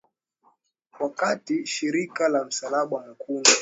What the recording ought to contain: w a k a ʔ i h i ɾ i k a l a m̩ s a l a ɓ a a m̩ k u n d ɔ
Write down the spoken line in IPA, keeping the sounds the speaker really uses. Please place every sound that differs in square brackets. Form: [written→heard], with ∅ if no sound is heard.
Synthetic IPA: w a k a [ʔ→t] i [h→ʃ] i ɾ i k a l a m̩ s a l a ɓ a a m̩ k u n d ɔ